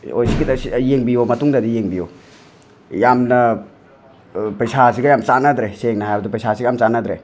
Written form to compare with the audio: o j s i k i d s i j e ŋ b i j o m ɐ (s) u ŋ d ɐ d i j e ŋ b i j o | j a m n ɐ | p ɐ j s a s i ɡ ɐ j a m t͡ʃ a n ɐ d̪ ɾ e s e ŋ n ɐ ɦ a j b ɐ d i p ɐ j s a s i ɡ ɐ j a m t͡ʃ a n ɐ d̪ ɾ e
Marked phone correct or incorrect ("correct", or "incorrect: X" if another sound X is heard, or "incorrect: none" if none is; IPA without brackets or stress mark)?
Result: incorrect: t